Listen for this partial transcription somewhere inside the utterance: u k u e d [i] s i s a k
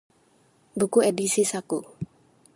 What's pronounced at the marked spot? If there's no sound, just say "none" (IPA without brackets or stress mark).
i